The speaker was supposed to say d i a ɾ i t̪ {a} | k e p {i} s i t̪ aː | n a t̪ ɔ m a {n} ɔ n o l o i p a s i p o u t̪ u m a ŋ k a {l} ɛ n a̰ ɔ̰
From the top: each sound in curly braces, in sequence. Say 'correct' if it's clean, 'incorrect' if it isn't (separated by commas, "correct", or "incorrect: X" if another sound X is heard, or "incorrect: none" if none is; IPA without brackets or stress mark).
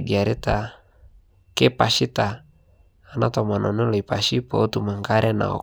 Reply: correct, incorrect: a, correct, incorrect: ɾ